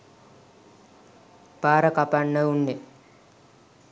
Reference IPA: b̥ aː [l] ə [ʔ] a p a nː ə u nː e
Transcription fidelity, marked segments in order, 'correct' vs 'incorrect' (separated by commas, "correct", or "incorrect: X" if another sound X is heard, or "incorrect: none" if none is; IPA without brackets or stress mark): incorrect: ɾ, incorrect: k